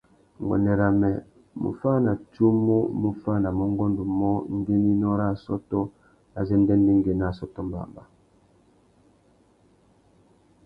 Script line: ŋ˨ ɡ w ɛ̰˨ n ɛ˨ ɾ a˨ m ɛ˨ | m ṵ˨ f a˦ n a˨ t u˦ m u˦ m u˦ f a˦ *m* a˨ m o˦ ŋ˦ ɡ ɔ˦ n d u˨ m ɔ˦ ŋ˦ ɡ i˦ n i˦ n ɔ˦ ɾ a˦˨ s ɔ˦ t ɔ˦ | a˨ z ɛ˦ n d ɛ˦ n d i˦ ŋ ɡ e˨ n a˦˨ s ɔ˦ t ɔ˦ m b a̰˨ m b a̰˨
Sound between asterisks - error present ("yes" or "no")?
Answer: yes